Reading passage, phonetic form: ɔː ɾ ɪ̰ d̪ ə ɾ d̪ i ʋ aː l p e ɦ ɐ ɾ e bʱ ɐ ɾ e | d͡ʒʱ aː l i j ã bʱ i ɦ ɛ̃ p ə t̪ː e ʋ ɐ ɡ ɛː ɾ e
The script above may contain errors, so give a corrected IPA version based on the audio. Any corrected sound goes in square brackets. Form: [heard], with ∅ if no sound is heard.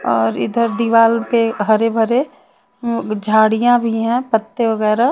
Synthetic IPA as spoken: ɔː ɾ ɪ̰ d̪ ə ɾ d̪ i ʋ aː l p e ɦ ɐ ɾ e bʱ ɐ ɾ e | d͡ʒʱ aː [ɽ] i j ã bʱ i ɦ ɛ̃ p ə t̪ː e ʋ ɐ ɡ ɛː ɾ [a]